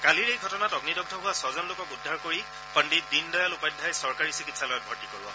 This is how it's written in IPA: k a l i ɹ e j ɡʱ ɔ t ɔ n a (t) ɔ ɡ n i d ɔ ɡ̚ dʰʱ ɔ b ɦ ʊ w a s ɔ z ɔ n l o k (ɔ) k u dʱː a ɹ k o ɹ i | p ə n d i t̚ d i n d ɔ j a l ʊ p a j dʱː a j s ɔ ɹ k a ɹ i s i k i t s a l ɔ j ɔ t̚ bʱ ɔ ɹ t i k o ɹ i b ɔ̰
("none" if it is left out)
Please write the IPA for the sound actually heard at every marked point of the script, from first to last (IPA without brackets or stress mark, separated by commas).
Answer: t, ɔ